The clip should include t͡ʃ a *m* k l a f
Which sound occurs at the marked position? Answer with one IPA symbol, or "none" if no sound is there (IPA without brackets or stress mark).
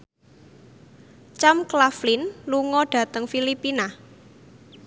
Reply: m